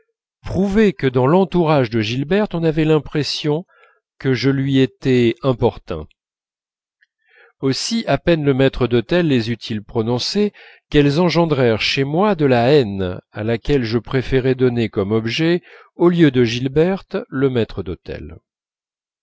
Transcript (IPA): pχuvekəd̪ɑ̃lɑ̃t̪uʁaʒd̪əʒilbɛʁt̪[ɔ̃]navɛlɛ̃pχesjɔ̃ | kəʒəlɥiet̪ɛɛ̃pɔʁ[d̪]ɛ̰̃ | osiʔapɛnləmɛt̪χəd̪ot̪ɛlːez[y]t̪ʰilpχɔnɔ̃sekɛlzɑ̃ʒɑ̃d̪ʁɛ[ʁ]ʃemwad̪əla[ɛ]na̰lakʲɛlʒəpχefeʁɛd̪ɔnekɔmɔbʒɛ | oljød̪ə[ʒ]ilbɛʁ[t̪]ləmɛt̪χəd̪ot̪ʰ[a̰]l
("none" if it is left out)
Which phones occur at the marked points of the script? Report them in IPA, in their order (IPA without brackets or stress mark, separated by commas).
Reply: ɔ̃, t̪, y, ʁ, ɛ, ʒ, t̪, ɛ̰